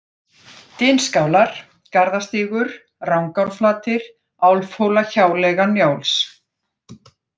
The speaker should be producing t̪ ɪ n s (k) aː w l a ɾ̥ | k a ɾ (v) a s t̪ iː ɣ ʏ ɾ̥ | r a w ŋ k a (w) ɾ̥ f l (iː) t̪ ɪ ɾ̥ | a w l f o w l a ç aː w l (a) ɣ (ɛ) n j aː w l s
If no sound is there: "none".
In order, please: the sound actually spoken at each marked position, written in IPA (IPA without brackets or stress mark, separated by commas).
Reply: k, ð, w, aː, ɛ, a